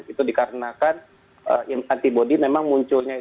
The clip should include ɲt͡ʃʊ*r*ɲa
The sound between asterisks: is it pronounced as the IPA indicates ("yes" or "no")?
no